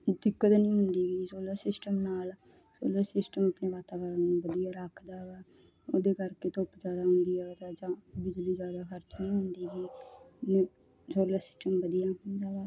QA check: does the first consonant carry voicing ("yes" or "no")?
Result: yes